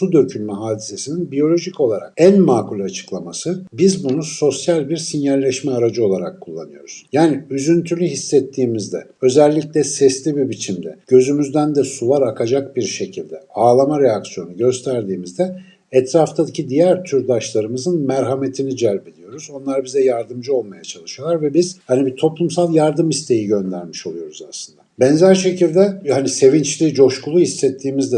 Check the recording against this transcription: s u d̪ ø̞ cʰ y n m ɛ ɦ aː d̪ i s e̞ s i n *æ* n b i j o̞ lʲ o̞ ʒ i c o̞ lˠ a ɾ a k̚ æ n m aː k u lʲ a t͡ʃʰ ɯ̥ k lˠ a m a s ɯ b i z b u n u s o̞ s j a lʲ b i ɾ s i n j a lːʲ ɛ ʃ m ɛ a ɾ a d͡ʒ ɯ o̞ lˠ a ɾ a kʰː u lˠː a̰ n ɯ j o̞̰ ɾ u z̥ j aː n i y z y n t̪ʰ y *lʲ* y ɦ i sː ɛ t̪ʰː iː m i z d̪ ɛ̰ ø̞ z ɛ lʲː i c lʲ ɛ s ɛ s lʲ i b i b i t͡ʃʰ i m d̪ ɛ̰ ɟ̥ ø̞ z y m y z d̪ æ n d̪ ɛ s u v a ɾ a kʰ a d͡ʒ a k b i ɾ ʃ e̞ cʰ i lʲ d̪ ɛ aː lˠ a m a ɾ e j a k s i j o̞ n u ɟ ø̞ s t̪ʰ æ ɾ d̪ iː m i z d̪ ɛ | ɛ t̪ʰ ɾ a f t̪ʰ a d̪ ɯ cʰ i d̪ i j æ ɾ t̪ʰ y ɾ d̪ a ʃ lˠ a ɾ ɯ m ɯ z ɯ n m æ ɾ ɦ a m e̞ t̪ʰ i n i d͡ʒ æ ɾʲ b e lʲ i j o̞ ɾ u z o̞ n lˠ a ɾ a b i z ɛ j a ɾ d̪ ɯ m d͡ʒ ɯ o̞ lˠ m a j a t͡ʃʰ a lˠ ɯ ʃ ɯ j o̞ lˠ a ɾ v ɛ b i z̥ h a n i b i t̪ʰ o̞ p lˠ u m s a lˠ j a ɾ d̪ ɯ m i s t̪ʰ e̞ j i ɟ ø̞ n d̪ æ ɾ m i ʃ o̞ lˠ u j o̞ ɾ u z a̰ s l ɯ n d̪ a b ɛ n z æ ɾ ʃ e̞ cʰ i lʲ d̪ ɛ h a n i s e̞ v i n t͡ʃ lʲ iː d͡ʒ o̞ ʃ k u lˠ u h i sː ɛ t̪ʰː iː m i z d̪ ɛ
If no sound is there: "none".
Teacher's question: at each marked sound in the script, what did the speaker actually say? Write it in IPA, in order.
i, lʲ

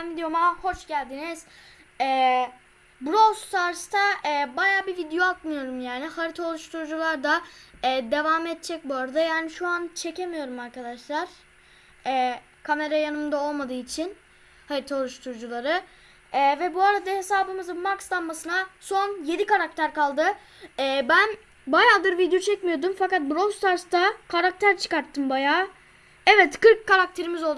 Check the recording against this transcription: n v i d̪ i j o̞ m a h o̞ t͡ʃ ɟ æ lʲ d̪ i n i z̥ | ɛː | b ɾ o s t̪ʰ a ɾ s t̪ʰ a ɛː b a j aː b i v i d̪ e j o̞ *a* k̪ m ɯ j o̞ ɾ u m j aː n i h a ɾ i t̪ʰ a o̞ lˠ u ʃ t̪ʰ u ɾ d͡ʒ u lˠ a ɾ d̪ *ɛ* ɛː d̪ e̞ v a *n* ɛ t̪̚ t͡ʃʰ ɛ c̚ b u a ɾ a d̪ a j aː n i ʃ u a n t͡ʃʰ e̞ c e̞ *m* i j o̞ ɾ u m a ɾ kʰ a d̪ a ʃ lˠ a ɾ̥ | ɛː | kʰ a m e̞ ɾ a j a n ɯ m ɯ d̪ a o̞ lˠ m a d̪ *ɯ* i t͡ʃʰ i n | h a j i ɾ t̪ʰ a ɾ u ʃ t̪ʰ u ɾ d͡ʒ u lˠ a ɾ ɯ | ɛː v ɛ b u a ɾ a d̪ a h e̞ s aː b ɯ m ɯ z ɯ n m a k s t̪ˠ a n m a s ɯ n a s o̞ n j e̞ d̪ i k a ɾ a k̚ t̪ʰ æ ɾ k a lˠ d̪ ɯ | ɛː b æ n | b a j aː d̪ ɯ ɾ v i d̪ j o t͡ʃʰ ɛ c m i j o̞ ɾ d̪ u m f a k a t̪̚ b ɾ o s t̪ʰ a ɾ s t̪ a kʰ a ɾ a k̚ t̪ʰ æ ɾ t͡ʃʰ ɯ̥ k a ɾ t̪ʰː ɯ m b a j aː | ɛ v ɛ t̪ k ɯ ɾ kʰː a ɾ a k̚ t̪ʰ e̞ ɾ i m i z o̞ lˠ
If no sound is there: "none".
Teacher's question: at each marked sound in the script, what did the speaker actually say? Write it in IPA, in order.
a, a, m, m, ɯː

